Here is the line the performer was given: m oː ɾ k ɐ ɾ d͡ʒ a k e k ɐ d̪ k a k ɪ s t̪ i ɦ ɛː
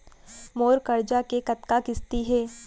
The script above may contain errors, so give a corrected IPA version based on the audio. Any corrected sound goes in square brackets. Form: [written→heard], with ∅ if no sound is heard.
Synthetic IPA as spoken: m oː ɾ k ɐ ɾ d͡ʒ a k e k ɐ [d̪→t̪] k a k ɪ s t̪ i ɦ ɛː